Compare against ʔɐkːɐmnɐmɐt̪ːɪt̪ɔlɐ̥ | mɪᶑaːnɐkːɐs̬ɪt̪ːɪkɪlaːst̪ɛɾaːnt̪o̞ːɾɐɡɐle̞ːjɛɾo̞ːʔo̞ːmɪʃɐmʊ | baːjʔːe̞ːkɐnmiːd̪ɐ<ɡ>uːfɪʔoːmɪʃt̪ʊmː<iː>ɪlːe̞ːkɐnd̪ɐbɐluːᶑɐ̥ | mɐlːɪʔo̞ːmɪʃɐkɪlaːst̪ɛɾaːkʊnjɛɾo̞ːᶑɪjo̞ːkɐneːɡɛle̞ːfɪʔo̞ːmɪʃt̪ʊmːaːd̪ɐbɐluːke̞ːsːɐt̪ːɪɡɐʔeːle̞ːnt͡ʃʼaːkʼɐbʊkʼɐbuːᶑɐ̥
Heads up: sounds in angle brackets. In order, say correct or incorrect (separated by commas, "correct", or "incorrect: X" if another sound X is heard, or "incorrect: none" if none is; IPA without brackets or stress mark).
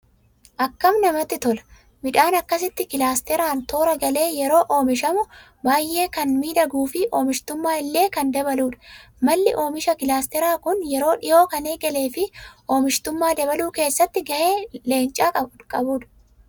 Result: correct, incorrect: aː